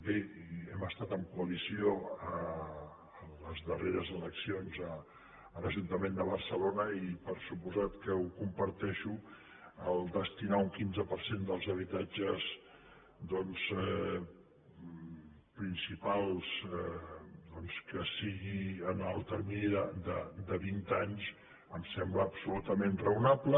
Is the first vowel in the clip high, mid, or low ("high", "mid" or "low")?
mid